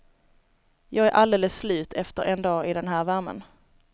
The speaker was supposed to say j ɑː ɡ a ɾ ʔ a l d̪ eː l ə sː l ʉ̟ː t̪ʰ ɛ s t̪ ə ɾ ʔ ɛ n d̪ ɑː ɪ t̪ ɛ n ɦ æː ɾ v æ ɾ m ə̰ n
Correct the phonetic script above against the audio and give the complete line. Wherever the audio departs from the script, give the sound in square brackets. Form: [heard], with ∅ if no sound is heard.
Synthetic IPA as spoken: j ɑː ɡ [æ] ɾ ʔ a l d̪ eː l ə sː l ʉ̟ː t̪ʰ ɛ [f] t̪ ə ɾ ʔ ɛ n d̪ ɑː ɪ [d̪] ɛ n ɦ æː ɾ v æ ɾ m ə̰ n